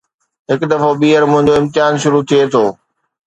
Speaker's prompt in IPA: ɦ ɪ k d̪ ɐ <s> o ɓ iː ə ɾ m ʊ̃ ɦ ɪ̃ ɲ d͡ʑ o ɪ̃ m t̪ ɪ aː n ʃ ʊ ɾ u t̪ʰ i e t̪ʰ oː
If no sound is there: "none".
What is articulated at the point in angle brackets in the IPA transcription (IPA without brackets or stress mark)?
f